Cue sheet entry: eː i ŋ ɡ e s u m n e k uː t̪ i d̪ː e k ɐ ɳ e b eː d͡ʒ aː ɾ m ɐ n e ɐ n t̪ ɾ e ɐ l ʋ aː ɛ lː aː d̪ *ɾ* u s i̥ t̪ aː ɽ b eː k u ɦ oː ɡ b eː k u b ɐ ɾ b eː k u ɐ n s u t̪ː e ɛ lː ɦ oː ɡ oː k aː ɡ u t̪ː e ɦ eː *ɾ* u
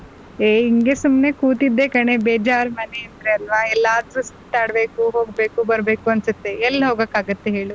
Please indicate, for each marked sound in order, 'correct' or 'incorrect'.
correct, incorrect: ɭ

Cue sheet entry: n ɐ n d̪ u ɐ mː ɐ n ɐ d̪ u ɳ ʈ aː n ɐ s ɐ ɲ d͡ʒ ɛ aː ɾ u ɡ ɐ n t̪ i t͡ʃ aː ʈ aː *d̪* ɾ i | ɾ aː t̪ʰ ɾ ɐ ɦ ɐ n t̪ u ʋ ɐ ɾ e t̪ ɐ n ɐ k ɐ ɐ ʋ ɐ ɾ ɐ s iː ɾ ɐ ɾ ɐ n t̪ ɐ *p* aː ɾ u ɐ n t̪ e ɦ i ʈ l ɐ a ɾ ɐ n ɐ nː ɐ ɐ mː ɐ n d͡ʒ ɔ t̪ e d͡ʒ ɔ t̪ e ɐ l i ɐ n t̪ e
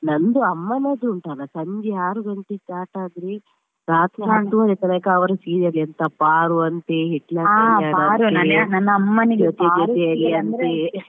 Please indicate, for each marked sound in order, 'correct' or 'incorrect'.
correct, correct

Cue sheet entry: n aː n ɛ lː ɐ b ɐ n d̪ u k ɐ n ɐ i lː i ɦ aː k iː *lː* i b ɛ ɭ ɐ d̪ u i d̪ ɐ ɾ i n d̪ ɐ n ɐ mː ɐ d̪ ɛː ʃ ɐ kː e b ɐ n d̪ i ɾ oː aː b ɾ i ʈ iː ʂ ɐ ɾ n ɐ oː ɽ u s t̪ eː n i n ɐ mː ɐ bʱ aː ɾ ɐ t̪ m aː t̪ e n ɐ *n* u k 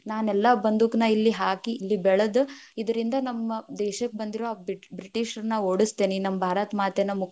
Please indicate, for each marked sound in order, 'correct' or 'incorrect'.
correct, incorrect: m

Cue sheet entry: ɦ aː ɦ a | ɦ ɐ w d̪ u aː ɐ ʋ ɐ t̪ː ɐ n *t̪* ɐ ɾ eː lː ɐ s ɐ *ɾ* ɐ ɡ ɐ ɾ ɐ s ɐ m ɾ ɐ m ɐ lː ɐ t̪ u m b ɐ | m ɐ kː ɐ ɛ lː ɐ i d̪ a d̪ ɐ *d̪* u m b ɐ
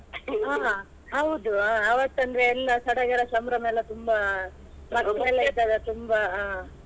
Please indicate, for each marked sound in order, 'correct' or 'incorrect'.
incorrect: d̪, incorrect: ɽ, incorrect: t̪

